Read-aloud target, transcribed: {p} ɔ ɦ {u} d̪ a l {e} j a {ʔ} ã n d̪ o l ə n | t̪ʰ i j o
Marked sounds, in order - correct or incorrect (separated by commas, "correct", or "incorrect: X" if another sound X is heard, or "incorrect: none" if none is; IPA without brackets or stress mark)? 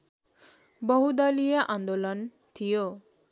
incorrect: b, correct, incorrect: i, correct